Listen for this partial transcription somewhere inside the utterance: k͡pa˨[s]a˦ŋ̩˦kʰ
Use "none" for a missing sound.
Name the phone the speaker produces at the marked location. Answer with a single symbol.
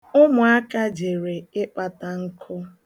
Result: t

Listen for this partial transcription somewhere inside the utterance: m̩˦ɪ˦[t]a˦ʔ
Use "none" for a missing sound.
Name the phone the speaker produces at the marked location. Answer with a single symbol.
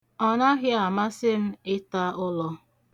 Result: t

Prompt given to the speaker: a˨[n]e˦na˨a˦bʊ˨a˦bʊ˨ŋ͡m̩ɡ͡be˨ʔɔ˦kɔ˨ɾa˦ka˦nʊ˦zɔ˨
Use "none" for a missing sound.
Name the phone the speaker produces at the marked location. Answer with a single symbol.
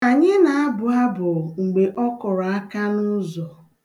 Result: ɲ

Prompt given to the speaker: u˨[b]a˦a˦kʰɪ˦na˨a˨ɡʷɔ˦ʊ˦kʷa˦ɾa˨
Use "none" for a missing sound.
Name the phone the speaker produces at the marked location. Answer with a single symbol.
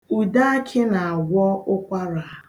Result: d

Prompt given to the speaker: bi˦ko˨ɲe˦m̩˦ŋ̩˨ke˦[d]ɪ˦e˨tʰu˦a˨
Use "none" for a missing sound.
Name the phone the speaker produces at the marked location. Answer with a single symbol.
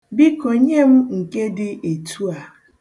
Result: d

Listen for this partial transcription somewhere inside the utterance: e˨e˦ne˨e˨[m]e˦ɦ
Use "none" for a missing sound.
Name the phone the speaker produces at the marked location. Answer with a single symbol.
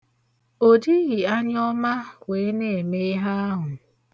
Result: m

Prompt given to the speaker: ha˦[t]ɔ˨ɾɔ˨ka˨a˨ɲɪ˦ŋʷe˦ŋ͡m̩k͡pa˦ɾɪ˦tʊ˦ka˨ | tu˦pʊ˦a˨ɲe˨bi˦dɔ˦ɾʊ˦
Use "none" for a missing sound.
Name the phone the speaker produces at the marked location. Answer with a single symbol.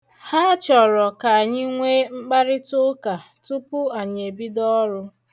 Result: t͡ʃ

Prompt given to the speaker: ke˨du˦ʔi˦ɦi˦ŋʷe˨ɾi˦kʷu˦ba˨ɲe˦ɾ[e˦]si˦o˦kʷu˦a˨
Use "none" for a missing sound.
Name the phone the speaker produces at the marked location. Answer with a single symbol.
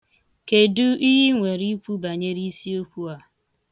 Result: i˦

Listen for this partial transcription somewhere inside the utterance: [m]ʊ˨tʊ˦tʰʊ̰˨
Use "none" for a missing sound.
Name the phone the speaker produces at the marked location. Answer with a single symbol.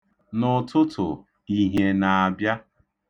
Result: n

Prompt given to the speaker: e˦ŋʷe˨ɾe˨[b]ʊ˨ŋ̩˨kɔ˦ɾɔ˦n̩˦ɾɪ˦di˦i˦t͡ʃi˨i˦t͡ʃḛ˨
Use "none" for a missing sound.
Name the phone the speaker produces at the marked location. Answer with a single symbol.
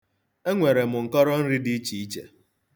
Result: m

